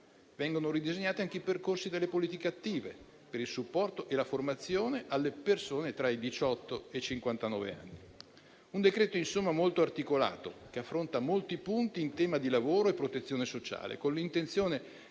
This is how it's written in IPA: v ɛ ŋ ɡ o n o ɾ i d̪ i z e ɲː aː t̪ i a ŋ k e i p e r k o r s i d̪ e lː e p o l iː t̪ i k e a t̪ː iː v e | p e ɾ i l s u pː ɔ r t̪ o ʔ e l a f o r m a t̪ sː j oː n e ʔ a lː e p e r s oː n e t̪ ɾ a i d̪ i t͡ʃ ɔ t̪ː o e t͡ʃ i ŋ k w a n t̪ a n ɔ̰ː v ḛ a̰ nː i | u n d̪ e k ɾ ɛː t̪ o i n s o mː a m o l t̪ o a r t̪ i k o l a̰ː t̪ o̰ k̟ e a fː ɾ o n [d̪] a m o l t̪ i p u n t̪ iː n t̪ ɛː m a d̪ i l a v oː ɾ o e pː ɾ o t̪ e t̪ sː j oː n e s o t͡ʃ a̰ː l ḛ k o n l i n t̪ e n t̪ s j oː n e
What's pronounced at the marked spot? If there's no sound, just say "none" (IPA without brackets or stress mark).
t̪